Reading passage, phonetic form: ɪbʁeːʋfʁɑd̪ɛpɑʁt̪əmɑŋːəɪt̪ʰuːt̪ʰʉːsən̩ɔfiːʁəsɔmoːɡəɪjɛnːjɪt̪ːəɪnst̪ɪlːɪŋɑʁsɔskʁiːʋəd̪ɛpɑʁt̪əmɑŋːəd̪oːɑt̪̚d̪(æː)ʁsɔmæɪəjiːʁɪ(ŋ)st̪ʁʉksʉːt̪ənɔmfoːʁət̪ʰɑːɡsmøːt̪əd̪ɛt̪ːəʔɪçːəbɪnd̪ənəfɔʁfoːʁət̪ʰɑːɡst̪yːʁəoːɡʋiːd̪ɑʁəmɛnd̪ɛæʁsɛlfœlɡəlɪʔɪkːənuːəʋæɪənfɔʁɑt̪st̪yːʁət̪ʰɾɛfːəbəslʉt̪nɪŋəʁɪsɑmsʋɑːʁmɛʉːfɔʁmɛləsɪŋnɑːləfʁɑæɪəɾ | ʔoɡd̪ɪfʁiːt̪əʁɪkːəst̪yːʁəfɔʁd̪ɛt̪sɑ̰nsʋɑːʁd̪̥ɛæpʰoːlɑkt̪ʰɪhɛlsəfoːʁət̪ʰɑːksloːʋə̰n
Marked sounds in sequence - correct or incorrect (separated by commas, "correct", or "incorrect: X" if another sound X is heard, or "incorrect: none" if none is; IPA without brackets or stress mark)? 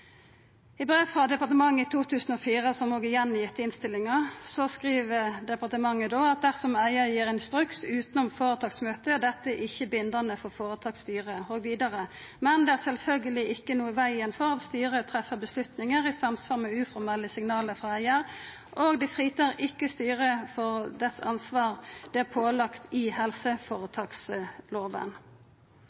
incorrect: æ, incorrect: n